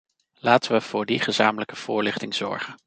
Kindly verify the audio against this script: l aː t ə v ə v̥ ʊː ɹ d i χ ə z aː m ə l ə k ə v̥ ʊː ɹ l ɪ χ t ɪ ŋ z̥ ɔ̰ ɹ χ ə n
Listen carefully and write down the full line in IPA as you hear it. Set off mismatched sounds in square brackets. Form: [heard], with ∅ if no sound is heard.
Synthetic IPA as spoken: l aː t ə [ʋ] ə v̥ ʊː ɹ d i χ ə z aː m ə l ə k ə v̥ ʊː ɹ l ɪ χ t ɪ ŋ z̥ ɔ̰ ɹ χ ə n